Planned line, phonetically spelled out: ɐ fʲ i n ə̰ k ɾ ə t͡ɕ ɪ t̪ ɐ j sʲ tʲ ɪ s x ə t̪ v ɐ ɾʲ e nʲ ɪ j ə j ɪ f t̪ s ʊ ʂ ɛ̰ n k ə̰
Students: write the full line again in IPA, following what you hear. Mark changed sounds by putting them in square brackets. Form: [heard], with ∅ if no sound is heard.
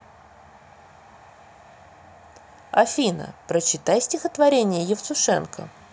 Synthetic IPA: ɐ fʲ i n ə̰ [p] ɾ ə t͡ɕ ɪ t̪ [a] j sʲ tʲ ɪ [∅] x ə t̪ v ɐ ɾʲ e nʲ ɪ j ə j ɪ f t̪ s ʊ ʂ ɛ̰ n k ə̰